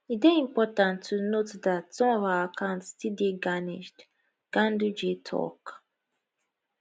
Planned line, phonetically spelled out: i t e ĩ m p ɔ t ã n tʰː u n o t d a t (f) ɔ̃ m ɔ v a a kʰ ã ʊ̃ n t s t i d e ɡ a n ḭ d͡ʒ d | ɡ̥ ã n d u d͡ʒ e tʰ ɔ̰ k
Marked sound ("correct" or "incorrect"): incorrect